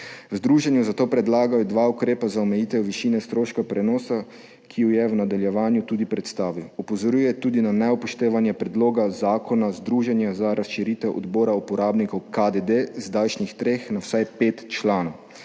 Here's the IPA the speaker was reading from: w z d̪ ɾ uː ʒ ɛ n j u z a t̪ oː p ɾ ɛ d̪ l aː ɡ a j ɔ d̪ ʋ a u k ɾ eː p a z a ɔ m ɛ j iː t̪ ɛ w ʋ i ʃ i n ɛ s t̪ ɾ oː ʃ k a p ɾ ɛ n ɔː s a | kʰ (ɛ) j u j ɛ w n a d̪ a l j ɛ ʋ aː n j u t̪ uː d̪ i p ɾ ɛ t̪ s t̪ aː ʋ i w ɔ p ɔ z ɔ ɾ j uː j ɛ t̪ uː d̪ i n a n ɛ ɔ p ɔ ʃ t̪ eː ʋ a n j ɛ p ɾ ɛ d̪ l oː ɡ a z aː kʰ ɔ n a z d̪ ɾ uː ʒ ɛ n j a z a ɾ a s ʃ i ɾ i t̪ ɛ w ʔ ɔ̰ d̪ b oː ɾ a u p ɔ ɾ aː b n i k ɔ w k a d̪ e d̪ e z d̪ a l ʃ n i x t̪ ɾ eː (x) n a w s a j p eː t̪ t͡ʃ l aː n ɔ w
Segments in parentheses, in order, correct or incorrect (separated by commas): incorrect, correct